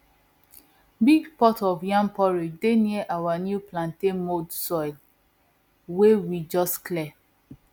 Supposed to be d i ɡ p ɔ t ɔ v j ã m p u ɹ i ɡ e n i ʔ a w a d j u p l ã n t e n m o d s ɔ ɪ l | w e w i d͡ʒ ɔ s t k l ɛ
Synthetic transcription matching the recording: b i ɡ p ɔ t ɔ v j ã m p ɔ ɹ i d e n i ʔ a w a n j u p l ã n t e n m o d s ɔ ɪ l | w e w i d͡ʒ ɔ s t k l ɛ